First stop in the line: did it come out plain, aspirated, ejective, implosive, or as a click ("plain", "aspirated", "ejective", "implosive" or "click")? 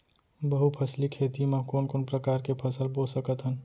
plain